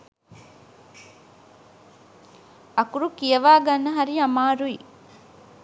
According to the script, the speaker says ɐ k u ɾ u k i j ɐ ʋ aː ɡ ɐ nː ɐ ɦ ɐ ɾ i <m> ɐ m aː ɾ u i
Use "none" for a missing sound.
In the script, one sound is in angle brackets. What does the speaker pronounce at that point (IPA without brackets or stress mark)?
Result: none